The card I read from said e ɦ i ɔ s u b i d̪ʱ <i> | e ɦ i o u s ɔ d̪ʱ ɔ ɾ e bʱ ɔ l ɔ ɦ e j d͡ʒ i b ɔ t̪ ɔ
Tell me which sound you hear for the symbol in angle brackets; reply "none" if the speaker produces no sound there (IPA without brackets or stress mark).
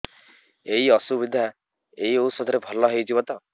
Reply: a